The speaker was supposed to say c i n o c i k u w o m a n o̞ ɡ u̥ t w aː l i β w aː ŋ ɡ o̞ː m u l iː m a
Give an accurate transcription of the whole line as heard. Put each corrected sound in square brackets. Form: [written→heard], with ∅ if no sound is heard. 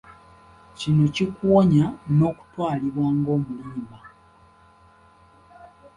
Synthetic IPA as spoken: c i n o c i k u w o [m→ɲ] a n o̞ [ɡ→k] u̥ t w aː l i β w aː ŋ ɡ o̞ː m u l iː m a